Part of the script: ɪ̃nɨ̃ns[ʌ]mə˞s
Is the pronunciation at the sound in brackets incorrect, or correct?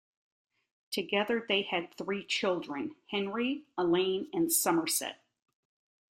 correct